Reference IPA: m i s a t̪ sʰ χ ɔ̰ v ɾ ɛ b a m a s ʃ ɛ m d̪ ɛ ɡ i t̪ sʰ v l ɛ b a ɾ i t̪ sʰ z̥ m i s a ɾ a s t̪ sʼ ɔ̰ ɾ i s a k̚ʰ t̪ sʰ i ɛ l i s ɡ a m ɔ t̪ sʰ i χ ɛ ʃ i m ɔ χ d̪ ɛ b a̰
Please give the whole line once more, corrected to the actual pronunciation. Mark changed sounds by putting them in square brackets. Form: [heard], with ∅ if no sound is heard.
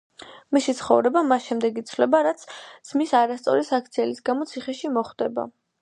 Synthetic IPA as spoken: m i s [i] t̪ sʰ χ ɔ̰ v ɾ ɛ b a m a s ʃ ɛ m d̪ ɛ ɡ i t̪ sʰ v l ɛ b a ɾ [a] t̪ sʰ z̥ m i s a ɾ a s t̪ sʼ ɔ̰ ɾ i s a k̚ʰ t̪ sʰ i ɛ l i s ɡ a m ɔ t̪ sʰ i χ ɛ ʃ i m ɔ χ d̪ ɛ b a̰